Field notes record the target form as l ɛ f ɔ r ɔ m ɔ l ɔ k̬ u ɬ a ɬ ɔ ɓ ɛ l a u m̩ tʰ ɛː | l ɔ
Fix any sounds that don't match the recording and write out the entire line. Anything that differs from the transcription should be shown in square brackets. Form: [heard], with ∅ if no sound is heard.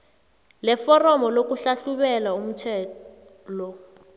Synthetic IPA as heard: l ɛ f ɔ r ɔ m ɔ l [o] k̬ u ɬ a ɬ [u] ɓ ɛ l a u m̩ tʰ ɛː | l ɔ